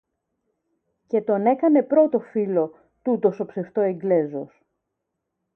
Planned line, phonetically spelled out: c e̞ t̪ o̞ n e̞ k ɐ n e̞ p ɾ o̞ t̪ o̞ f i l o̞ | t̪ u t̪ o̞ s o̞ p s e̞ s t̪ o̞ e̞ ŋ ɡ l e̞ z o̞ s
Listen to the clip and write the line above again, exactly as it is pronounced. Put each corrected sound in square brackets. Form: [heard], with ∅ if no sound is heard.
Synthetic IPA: c e̞ t̪ o̞ n e̞ k ɐ n e̞ p ɾ o̞ t̪ o̞ f i l o̞ | t̪ u t̪ o̞ s o̞ p s e̞ [f] t̪ o̞ e̞ ŋ ɡ l e̞ z o̞ s